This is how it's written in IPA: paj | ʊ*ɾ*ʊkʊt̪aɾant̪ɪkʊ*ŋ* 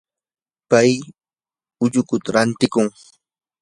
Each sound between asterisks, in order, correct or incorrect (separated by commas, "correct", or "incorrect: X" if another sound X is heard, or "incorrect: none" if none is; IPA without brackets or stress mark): incorrect: ʎ, correct